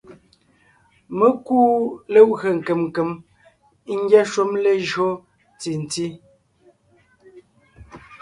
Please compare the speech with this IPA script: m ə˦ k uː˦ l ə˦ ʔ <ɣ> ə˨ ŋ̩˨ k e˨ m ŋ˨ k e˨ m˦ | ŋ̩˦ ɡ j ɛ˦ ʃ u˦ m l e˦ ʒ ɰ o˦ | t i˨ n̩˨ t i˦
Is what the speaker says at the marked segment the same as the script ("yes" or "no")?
yes